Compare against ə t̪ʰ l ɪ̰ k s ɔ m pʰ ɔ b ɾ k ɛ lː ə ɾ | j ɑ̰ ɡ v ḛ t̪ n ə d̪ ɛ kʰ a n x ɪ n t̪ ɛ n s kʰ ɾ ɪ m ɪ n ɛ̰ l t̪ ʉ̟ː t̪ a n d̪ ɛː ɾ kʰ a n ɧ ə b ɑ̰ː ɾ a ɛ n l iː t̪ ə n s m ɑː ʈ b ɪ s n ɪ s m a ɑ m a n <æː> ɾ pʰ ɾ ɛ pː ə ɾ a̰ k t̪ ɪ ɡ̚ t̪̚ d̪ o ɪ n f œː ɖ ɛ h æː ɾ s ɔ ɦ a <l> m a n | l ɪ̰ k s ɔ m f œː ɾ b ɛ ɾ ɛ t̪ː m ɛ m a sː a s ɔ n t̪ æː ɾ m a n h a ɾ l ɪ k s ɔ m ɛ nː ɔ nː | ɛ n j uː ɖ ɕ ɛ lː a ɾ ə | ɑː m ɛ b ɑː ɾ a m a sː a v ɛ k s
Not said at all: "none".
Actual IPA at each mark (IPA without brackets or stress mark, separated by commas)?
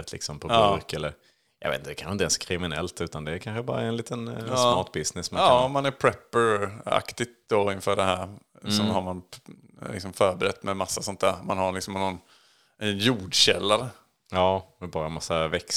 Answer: æ, ɾ